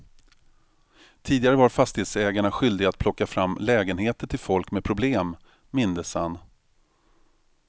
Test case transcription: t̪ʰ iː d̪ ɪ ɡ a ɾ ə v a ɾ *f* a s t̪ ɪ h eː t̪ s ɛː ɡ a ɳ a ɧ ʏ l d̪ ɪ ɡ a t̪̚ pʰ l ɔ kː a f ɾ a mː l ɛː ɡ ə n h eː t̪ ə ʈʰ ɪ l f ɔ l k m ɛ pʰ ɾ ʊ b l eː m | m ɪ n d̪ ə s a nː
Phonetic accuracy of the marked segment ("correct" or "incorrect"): correct